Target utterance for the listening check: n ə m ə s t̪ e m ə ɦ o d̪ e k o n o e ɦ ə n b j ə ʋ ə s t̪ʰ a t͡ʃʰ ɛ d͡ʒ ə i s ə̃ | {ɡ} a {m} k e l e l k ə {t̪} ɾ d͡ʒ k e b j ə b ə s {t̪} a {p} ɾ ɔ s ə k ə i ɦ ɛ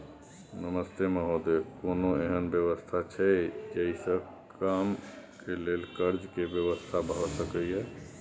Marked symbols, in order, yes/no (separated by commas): no, yes, no, no, no